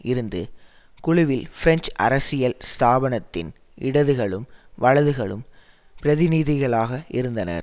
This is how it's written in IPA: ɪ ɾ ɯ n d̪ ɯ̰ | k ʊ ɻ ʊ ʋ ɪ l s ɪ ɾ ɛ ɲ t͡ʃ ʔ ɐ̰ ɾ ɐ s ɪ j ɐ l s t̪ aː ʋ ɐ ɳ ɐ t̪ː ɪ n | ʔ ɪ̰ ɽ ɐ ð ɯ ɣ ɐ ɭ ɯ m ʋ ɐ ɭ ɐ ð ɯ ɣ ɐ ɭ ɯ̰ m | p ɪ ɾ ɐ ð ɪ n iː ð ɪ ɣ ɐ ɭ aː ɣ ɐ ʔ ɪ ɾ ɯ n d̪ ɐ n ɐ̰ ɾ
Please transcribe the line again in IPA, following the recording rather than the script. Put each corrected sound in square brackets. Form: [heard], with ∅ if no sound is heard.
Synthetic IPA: ɪ ɾ ɯ n d̪ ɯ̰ | k ʊ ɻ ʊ ʋ ɪ l [f] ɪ ɾ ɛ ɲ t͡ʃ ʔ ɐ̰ ɾ ɐ s ɪ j ɐ l s t̪ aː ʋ ɐ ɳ ɐ t̪ː ɪ n | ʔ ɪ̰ ɽ ɐ ð ɯ ɣ ɐ ɭ ɯ m ʋ ɐ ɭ ɐ ð ɯ ɣ ɐ ɭ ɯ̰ m | p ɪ ɾ ɐ ð ɪ n iː ð ɪ ɣ ɐ ɭ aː ɣ ɐ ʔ ɪ ɾ ɯ n d̪ ɐ n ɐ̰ ɾ